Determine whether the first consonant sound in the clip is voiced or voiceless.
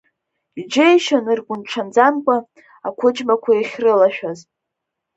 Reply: voiced